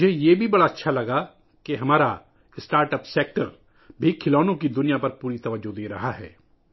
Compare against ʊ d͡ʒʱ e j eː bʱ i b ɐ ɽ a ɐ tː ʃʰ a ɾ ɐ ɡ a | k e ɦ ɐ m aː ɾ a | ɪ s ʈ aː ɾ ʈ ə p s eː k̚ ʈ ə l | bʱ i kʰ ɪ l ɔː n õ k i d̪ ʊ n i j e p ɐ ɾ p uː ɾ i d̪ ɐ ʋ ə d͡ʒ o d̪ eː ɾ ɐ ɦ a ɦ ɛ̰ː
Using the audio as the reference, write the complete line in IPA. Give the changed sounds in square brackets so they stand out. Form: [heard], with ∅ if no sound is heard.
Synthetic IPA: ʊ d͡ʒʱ e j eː bʱ i b ɐ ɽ a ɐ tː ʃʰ a [l] ɐ ɡ a | k e ɦ ɐ m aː ɾ a | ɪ s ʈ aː ɾ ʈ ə p s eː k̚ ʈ ə [ɾ] | bʱ i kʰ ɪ l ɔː n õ k i d̪ ʊ n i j [a] p ɐ ɾ p uː ɾ i [t̪] ɐ ʋ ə d͡ʒ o d̪ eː ɾ ɐ ɦ a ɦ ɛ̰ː